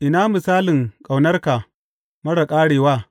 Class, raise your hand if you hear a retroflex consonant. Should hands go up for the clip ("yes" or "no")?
yes